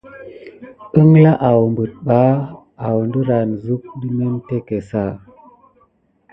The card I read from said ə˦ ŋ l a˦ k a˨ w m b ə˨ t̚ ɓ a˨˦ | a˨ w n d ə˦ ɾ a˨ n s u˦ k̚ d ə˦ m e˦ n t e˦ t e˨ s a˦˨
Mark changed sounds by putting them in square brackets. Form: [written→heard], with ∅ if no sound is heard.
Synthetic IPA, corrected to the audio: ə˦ ŋ l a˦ [k→ʔ] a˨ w m b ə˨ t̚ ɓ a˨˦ | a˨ w n d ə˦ ɾ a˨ n [s→z] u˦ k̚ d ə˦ m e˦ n t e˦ [t→k] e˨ s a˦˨